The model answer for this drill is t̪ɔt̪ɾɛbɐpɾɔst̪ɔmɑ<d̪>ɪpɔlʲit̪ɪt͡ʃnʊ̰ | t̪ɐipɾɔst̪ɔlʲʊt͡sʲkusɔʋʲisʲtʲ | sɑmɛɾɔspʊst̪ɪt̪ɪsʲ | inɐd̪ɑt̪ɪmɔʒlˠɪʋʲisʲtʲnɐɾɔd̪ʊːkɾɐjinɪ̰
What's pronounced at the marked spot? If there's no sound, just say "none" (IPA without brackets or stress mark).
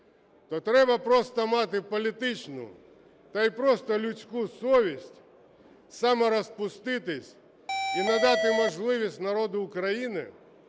t̪